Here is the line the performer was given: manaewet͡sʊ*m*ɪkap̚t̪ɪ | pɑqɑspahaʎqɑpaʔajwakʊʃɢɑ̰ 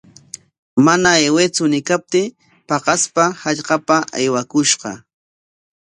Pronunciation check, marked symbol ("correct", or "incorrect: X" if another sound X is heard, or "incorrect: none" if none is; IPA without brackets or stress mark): incorrect: n